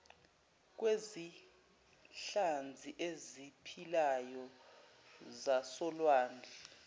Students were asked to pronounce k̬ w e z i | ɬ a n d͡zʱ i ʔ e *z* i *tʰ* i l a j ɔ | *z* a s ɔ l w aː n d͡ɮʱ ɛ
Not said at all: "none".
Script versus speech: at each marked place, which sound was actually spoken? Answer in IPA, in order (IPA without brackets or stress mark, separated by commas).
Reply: z, pʰ, z